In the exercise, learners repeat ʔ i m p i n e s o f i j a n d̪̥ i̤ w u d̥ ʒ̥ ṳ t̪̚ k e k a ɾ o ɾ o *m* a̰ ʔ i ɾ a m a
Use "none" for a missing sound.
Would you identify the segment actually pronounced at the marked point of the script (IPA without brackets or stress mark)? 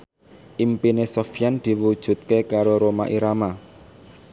m